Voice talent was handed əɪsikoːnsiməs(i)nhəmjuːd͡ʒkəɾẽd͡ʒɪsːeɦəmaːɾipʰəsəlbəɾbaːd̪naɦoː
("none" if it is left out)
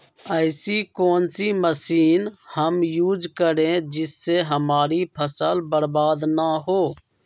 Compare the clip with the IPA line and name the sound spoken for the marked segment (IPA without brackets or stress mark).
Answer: iː